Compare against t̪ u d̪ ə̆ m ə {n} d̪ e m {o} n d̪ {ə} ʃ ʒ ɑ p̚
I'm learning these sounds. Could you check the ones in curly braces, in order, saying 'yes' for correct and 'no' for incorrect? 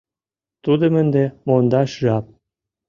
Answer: yes, yes, no

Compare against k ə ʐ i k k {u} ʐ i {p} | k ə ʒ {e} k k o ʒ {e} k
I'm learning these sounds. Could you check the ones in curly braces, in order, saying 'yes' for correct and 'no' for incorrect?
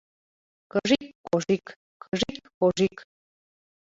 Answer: no, no, no, no

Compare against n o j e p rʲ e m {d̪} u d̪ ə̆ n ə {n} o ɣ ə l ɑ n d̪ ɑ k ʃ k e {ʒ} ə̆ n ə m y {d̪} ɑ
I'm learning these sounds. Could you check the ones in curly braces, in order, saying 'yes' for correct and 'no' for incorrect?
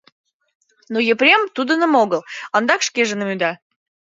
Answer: no, no, yes, yes

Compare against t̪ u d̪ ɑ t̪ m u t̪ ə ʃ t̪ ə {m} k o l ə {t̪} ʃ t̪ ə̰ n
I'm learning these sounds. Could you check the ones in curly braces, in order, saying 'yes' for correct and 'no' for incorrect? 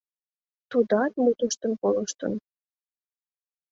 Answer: no, no

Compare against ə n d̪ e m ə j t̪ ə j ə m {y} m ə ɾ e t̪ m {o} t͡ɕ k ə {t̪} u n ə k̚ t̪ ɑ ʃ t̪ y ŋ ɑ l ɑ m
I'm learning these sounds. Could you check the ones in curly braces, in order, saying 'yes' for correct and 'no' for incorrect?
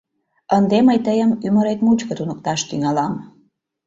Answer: yes, no, yes

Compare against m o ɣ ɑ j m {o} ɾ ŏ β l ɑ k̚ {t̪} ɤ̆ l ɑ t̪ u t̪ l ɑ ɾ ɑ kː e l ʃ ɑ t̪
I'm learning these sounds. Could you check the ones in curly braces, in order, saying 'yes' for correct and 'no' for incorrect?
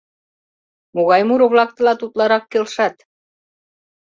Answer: no, yes

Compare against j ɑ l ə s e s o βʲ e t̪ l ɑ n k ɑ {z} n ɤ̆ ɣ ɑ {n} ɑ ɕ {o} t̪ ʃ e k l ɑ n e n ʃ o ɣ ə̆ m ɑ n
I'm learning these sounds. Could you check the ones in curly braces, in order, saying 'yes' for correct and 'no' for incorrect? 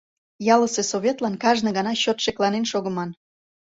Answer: no, yes, yes

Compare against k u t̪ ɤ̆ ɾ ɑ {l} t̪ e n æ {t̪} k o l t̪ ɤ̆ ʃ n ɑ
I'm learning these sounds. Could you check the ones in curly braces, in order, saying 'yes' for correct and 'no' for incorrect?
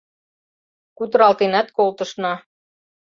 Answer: yes, yes

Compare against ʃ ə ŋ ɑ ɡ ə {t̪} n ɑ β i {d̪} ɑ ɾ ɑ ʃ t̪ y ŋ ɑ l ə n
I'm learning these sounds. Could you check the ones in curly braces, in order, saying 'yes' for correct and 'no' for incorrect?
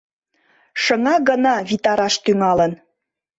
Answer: no, no

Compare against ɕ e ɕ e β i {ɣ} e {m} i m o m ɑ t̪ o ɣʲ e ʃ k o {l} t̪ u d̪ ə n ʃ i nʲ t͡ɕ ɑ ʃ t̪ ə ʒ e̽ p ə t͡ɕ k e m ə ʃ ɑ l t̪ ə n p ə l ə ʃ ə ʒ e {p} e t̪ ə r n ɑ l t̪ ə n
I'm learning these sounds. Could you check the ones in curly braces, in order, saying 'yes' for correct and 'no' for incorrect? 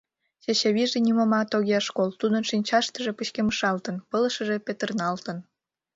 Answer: no, no, yes, yes

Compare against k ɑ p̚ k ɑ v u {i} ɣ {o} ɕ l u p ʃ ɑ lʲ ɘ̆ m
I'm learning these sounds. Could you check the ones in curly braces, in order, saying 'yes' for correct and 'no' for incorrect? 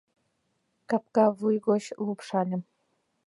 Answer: no, yes

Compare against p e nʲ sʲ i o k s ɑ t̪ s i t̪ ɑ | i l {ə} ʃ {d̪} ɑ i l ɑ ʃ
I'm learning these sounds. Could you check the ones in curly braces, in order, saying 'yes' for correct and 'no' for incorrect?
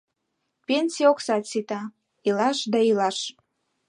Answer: no, yes

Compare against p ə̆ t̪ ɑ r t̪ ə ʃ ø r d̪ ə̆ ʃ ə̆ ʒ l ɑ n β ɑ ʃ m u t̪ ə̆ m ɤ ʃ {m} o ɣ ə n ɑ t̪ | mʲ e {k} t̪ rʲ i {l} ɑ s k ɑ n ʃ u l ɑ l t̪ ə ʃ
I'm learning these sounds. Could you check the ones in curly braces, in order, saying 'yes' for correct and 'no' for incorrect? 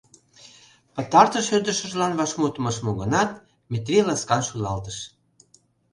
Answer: yes, no, yes

